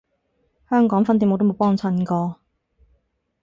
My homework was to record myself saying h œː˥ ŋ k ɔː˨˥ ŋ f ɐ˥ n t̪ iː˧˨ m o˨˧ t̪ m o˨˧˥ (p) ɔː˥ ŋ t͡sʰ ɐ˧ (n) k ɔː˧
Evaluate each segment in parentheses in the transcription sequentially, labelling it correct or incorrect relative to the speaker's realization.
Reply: correct, correct

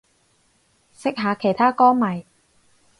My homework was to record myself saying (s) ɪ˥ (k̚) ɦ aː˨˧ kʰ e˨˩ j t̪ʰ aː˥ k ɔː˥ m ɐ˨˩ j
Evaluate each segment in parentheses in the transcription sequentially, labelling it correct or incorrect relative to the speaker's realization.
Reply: correct, correct

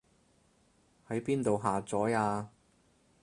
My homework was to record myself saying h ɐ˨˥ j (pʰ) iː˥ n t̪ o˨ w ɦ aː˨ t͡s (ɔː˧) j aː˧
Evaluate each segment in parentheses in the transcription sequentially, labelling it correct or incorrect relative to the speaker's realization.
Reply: incorrect, incorrect

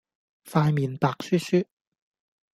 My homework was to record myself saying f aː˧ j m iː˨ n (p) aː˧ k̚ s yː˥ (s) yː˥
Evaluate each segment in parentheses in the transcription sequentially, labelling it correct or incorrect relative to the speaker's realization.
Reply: correct, correct

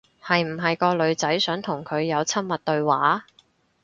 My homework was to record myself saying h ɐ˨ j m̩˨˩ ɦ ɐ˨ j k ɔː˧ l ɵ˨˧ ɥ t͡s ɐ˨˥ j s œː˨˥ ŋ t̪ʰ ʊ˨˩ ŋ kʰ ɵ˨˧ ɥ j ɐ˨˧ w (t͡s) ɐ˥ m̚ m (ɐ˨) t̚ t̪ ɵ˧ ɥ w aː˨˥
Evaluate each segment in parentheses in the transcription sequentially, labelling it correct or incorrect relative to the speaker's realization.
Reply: incorrect, correct

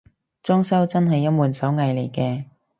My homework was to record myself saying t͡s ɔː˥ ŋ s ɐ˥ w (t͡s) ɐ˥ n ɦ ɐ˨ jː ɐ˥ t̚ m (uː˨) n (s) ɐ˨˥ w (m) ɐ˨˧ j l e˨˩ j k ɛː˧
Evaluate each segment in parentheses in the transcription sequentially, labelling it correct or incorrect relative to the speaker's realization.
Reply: correct, correct, correct, incorrect

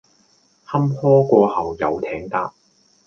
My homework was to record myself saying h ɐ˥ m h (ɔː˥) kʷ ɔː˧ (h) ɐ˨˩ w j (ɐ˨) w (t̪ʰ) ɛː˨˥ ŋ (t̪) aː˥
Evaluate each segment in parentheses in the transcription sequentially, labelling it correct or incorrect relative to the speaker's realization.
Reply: correct, correct, correct, correct, correct

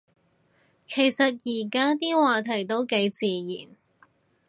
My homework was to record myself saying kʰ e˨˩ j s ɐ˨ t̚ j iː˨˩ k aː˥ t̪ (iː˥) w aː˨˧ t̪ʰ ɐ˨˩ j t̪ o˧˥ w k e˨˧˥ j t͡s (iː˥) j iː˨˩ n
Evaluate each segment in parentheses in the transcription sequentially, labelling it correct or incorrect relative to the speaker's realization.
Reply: correct, incorrect

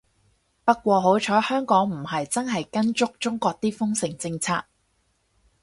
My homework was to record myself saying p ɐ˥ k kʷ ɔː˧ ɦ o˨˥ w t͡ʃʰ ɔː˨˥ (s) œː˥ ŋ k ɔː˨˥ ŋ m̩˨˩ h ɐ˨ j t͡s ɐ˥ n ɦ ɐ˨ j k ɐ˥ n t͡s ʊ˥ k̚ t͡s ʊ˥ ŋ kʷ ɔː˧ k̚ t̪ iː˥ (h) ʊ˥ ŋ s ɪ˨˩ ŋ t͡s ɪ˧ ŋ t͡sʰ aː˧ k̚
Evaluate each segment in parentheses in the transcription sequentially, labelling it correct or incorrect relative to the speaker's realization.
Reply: incorrect, incorrect

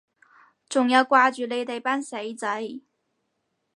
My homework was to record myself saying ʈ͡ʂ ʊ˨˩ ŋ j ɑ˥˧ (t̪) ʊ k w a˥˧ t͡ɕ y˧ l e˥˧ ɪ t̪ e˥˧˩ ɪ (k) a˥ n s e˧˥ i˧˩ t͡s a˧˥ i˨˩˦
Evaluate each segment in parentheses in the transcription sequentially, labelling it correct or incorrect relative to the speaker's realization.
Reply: incorrect, incorrect

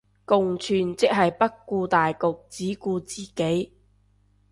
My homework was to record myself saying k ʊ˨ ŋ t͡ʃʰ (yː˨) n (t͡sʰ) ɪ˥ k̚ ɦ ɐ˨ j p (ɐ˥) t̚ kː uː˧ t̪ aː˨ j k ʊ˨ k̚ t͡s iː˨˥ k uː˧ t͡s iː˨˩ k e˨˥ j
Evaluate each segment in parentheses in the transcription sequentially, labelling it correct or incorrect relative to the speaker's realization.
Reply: correct, incorrect, correct

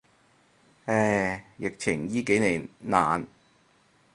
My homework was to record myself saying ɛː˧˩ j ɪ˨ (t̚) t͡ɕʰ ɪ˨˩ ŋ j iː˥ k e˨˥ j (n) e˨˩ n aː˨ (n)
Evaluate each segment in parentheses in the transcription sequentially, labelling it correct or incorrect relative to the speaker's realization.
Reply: incorrect, correct, correct

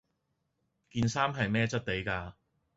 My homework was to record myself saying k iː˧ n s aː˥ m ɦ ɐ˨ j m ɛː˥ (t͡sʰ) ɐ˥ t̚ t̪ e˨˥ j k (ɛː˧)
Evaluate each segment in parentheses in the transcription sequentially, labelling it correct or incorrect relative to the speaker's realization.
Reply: incorrect, incorrect

